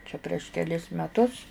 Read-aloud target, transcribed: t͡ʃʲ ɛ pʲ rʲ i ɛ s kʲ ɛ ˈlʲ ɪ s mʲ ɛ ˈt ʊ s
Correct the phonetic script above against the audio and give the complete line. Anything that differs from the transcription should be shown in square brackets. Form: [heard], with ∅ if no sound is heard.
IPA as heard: t͡ʃʲ ɛ pʲ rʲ i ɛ [ʃ] kʲ ɛ ˈlʲ ɪ s mʲ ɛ ˈt ʊ s

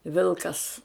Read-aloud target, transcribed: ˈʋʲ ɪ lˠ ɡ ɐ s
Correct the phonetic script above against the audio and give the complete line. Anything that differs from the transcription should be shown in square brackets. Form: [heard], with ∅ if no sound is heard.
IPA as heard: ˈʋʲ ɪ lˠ [k] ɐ s

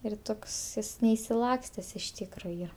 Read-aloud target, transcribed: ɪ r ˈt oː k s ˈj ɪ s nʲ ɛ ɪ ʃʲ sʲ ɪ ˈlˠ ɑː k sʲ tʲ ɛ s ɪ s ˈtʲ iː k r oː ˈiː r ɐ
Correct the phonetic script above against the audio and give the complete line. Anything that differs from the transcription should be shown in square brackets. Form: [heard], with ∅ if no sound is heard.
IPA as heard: ɪ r ˈt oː k s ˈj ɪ s nʲ ɛ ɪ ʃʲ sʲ ɪ ˈlˠ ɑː k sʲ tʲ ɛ s ɪ [ʃ] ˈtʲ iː k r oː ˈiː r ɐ

